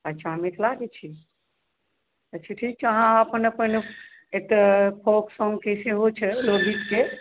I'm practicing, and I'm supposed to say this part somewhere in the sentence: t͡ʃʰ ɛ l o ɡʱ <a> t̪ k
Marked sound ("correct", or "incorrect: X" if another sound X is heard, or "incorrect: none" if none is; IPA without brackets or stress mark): incorrect: i